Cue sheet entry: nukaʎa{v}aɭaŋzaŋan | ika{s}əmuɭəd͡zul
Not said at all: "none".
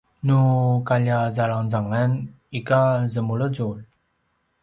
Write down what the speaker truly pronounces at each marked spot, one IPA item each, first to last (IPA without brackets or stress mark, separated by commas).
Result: z, z